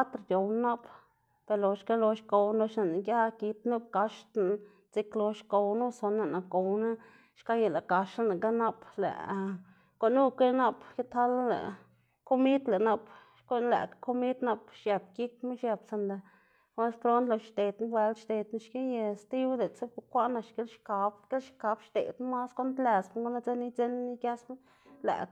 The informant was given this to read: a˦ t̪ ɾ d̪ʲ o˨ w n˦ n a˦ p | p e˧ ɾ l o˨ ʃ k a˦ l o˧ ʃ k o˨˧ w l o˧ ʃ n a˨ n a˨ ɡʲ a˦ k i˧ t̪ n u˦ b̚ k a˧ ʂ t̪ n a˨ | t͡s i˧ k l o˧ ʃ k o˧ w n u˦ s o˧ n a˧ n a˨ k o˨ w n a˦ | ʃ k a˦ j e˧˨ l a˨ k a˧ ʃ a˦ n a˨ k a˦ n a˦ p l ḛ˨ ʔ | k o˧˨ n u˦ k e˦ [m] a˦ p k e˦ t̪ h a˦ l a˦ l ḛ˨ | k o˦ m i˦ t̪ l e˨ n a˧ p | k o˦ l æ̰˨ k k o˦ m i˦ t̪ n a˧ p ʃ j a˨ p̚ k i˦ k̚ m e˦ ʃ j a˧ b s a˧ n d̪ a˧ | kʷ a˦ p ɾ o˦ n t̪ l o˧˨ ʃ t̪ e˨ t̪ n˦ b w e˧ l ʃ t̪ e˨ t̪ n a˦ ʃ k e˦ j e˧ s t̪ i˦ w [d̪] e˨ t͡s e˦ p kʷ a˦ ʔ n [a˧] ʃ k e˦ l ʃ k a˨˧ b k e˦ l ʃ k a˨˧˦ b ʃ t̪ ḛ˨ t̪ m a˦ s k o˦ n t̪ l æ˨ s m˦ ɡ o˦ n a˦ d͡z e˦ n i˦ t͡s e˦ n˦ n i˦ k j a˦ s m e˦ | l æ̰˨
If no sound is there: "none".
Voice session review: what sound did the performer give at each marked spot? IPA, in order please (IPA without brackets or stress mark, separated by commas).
n, d̪, a˧